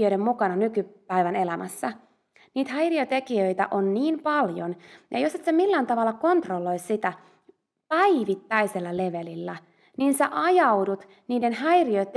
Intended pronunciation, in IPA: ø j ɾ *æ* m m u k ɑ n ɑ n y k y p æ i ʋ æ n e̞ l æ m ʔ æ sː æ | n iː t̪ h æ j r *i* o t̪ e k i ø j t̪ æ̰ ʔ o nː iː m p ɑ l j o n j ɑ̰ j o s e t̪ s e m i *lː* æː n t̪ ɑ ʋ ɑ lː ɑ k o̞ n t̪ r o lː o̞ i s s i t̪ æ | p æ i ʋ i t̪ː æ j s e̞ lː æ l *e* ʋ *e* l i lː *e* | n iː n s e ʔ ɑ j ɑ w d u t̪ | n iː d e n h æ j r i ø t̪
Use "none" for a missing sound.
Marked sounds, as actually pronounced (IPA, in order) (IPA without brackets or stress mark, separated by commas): e, i, lː, e, e, æ